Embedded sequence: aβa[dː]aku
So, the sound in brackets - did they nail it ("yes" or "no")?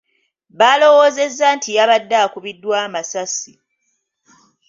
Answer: yes